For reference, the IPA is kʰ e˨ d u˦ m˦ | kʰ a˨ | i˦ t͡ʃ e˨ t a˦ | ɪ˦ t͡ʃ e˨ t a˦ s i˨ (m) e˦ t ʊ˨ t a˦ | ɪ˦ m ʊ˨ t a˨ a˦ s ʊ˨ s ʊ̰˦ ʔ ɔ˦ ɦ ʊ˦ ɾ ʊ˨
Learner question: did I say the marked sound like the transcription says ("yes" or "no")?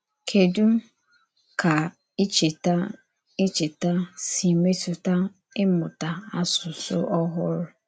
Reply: yes